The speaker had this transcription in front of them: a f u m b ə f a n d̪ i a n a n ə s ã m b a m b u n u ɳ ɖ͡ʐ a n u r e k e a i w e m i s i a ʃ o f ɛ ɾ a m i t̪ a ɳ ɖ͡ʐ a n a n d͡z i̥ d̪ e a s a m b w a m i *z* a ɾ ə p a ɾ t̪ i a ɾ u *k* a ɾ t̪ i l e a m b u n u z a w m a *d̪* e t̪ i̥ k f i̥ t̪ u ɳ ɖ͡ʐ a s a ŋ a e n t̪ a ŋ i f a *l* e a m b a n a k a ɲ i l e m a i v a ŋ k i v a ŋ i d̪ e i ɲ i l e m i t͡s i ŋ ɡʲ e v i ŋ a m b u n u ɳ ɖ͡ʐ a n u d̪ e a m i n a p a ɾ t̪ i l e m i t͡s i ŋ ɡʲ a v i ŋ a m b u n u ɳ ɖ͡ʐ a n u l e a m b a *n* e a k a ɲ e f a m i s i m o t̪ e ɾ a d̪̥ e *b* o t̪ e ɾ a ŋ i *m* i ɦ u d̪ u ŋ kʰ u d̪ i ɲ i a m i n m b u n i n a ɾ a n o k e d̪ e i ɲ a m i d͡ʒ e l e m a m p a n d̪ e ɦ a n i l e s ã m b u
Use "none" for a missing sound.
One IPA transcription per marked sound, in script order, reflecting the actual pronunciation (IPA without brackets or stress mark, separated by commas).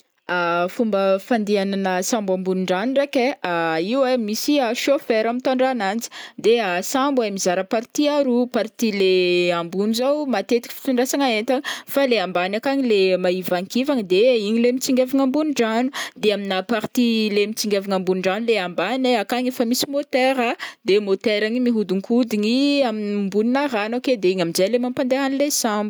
z, p, t̪, l, n, m, m